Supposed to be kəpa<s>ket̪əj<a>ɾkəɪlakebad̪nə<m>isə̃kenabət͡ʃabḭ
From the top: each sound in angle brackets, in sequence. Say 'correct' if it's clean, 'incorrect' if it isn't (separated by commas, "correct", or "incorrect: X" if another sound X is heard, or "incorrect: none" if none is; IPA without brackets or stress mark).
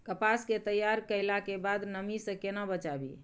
correct, correct, correct